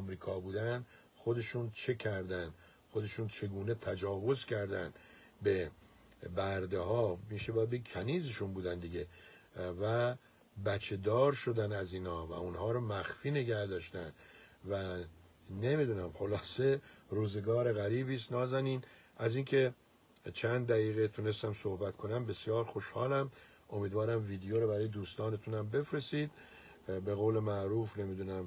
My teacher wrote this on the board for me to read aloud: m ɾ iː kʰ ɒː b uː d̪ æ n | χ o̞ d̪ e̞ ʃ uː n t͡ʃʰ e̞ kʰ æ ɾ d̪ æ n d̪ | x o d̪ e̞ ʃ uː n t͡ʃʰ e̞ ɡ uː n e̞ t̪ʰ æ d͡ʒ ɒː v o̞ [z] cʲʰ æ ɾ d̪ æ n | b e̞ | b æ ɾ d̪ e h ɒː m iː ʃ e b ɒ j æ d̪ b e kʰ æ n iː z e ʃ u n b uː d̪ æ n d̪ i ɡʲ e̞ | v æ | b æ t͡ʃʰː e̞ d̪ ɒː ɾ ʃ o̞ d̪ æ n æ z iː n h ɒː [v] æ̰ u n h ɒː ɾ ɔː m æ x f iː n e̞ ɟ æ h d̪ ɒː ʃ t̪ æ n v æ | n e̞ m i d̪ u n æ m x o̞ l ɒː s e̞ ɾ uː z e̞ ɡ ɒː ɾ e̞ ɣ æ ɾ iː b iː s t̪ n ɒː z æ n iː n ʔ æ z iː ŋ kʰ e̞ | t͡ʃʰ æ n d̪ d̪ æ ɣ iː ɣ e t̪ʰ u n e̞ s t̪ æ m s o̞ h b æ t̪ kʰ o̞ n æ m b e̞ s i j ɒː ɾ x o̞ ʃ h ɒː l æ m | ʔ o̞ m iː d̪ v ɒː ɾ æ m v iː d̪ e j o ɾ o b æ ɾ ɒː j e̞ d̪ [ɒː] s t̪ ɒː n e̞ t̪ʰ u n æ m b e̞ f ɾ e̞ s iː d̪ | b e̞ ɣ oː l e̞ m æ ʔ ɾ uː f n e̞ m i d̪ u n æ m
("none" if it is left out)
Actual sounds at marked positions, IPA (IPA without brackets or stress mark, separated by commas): z, v, uː